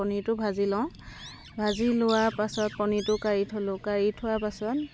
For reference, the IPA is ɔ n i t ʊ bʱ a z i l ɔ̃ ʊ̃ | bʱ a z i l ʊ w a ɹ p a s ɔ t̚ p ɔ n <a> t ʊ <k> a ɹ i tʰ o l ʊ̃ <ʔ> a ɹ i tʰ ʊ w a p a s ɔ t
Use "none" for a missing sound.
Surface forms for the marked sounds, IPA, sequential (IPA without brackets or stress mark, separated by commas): i, k, k